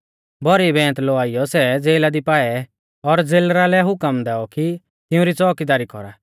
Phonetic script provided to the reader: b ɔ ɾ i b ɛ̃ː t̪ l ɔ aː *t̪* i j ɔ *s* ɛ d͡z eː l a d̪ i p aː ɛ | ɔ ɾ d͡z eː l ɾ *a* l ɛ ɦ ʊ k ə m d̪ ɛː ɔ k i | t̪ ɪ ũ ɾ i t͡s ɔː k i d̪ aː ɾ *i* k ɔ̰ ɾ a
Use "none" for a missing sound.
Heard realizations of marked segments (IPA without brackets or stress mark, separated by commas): none, s, a, i